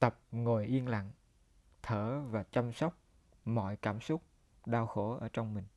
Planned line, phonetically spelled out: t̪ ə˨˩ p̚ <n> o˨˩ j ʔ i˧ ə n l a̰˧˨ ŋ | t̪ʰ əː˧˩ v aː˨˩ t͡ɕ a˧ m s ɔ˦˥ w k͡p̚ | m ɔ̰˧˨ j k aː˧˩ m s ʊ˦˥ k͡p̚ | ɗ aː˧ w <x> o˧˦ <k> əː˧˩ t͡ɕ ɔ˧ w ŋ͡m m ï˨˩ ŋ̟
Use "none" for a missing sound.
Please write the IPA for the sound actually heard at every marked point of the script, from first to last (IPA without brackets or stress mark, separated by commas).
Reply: ŋ, x, ʔ